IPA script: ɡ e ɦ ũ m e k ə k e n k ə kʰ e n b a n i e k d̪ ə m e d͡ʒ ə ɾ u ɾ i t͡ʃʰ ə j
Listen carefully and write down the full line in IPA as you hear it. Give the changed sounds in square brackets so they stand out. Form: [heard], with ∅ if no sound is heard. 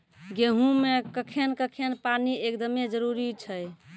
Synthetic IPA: ɡ e ɦ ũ m e k ə [kʰ] e n k ə kʰ e n [p] a n i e k d̪ ə m e d͡ʒ ə ɾ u ɾ i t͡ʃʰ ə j